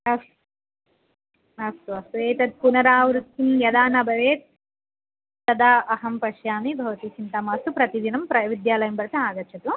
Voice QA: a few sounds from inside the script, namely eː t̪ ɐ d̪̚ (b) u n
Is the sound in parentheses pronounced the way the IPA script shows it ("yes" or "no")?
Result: no